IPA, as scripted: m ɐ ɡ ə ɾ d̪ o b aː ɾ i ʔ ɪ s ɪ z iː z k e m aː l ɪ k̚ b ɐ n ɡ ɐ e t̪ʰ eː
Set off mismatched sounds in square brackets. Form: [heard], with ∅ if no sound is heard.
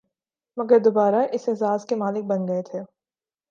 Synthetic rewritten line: m ɐ ɡ ə ɾ d̪ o b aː ɾ [a] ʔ ɪ s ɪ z [aː] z k e m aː l ɪ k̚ b ɐ n ɡ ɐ e t̪ʰ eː